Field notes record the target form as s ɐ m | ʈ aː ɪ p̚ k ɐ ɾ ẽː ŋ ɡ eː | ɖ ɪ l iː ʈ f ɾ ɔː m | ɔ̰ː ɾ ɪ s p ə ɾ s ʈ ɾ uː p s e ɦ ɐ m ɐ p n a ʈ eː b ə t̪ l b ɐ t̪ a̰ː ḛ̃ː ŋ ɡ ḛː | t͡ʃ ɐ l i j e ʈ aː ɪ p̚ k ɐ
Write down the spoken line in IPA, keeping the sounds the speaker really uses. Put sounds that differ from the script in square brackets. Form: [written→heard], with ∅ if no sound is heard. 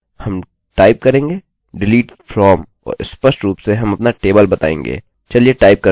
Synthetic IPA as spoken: [s→h] ɐ m | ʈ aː ɪ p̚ k ɐ ɾ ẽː ŋ ɡ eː | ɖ ɪ l iː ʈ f ɾ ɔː m | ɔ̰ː ɾ ɪ s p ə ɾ s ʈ ɾ uː p s e ɦ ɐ m ɐ p n a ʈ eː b ə [t̪→∅] l b ɐ t̪ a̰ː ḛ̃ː ŋ ɡ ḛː | t͡ʃ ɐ l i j e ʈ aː ɪ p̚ k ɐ